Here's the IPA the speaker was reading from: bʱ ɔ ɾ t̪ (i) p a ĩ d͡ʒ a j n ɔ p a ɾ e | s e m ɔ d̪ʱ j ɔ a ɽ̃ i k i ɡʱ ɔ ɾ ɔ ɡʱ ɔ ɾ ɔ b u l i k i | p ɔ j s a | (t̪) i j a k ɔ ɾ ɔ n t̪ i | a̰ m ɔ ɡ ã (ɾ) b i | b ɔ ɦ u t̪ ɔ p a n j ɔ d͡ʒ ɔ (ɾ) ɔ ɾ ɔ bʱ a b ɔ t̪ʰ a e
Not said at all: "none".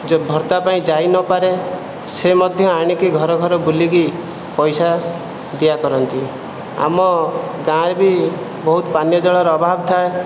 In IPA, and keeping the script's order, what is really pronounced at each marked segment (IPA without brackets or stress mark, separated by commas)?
a, d̪, ɾ, ɭ